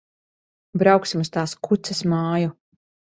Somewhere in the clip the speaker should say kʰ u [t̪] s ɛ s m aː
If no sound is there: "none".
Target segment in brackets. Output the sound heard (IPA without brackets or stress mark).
t̪